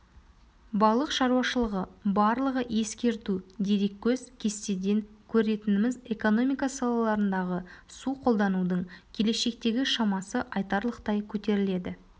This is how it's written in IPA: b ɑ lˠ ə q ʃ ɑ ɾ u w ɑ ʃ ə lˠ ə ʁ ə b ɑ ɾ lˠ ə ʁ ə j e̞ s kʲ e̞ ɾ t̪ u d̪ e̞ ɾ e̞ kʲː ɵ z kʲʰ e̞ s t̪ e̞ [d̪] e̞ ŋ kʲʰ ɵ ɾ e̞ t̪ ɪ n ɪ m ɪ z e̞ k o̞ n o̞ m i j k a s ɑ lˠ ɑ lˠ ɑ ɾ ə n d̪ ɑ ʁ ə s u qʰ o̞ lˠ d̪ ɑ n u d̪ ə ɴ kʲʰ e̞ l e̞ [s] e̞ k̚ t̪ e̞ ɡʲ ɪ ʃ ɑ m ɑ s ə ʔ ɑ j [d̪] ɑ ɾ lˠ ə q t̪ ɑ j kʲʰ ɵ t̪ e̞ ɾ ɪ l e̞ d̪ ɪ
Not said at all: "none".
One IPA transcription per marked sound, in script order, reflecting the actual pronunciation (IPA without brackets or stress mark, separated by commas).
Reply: d̪, ʃ, t̪